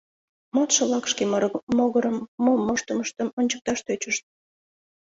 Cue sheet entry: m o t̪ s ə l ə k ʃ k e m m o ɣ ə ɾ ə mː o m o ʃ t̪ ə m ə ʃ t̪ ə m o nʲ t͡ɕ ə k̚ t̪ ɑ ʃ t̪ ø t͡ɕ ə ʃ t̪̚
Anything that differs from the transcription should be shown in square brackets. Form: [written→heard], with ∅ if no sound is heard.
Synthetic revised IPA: m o t̪ [s→ʃ] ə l [ə→ɑ] k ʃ k e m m o ɣ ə ɾ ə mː o m o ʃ t̪ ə m ə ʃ t̪ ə m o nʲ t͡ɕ ə k̚ t̪ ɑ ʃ t̪ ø t͡ɕ ə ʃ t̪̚